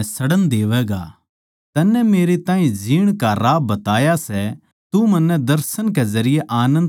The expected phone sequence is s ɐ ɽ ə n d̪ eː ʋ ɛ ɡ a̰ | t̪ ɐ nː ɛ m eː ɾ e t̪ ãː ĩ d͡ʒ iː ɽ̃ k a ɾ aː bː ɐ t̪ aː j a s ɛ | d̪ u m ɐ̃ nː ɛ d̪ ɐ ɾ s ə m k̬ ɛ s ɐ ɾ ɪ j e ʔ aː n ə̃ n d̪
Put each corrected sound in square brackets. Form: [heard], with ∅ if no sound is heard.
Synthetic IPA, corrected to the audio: s ɐ ɽ ə n d̪ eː ʋ ɛ ɡ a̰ | t̪ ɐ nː ɛ m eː ɾ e t̪ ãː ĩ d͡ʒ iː ɽ̃ k a ɾ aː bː ɐ t̪ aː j a s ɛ | [t̪] u m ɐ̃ nː ɛ d̪ ɐ ɾ s ə [n] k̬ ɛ [z] ɐ ɾ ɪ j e ʔ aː n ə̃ n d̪